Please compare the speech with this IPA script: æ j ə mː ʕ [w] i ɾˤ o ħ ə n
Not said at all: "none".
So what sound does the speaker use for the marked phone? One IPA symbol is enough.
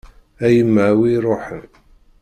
w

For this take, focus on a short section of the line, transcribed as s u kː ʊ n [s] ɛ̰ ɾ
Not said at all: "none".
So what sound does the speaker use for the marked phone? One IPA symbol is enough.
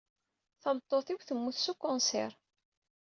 s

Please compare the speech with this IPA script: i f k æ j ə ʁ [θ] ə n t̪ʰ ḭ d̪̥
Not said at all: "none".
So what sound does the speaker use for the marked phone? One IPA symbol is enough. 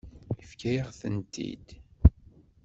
θ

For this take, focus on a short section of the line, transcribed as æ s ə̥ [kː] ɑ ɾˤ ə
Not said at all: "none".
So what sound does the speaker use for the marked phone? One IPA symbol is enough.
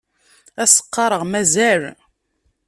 qː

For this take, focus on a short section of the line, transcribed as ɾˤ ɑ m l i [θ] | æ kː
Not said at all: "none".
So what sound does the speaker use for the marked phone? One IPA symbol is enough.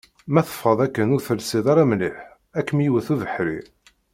ħ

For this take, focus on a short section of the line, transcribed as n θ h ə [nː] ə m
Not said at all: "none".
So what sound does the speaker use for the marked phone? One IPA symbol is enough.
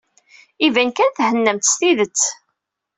nː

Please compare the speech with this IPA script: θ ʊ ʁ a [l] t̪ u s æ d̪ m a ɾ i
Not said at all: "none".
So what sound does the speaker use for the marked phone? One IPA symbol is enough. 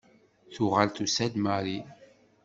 l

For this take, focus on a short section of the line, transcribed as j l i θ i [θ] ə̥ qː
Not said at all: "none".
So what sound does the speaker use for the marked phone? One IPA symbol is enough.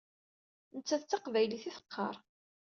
θ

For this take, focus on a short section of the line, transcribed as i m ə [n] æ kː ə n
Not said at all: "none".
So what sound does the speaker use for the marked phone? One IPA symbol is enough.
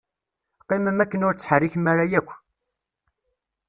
m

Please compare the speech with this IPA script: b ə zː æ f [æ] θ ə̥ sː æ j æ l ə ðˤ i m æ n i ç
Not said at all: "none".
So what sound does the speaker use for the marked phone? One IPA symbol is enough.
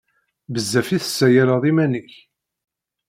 i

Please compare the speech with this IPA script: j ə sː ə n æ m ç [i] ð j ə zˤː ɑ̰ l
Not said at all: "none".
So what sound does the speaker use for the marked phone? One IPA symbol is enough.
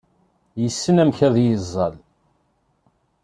æ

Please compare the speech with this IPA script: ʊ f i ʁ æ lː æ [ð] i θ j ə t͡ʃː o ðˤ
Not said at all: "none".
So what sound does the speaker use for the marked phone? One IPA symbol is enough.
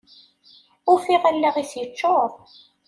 ʁ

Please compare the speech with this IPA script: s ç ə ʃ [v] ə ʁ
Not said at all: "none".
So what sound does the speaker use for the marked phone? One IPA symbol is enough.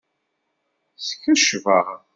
v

